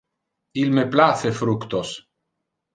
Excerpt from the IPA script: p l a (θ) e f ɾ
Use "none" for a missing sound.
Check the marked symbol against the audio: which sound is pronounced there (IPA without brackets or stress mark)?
θ